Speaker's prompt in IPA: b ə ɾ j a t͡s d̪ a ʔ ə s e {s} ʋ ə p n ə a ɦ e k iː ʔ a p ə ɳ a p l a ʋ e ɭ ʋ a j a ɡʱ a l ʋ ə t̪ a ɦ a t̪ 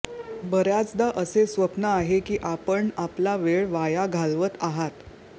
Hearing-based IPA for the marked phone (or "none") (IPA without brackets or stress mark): s